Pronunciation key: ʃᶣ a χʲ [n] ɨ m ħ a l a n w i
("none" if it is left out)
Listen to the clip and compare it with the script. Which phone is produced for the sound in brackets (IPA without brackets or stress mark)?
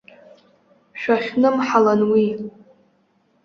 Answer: n